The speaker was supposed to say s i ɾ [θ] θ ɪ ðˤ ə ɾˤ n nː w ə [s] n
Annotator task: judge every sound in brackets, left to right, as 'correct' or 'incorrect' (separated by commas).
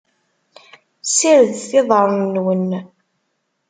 incorrect, incorrect